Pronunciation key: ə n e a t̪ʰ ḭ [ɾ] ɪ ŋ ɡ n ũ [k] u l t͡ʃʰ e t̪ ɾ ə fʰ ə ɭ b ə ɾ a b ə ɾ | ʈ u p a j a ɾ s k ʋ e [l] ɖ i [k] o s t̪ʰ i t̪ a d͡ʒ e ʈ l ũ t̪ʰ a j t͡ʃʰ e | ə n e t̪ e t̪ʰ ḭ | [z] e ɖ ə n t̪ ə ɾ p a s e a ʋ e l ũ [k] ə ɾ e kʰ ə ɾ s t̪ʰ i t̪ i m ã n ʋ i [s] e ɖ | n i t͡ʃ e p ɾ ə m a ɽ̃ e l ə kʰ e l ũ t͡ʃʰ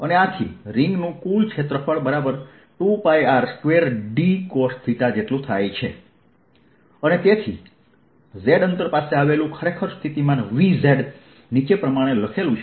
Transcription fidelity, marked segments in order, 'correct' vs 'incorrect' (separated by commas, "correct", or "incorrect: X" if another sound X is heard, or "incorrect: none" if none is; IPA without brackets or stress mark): correct, correct, incorrect: ɾ, correct, correct, incorrect: kʰ, incorrect: z